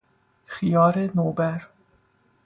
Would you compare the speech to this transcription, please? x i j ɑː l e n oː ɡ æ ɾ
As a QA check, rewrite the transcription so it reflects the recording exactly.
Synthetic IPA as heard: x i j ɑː ɾ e n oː b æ ɾ

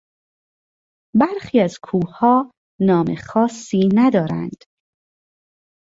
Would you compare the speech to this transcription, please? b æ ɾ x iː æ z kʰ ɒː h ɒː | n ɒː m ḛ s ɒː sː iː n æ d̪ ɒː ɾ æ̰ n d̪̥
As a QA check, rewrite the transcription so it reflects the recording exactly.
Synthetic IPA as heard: b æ ɾ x iː æ z kʰ uː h ɒː | n ɒː m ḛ x ɒː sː iː n æ d̪ ɒː ɾ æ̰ n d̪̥

